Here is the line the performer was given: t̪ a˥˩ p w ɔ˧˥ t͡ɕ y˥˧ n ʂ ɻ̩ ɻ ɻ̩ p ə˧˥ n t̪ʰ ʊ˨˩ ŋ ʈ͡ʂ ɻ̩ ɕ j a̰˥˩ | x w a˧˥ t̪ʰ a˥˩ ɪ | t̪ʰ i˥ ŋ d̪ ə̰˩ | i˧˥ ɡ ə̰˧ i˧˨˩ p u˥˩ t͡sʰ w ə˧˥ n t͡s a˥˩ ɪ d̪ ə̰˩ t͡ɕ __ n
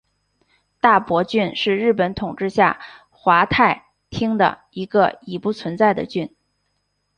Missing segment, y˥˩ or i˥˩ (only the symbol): y˥˩